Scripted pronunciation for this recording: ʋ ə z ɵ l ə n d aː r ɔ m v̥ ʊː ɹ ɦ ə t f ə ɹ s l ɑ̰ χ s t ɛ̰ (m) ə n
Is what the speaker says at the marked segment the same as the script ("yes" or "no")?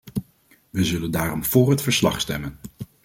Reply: yes